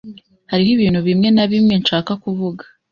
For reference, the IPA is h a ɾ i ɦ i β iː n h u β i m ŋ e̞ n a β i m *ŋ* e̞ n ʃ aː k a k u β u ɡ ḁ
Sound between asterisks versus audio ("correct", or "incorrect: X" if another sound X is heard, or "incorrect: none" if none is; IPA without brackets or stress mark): correct